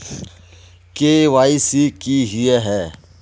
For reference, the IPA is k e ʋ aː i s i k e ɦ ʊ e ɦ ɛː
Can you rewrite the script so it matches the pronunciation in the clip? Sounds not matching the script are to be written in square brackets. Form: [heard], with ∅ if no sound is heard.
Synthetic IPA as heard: k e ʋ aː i s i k [i] ɦ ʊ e ɦ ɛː